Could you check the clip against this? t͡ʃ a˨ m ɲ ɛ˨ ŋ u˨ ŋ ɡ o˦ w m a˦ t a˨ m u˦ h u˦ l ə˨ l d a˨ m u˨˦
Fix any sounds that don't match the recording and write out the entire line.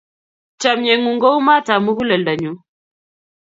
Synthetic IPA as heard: t͡ʃ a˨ m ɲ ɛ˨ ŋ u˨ ŋ ɡ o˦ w m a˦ t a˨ m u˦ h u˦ l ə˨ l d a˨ ɲ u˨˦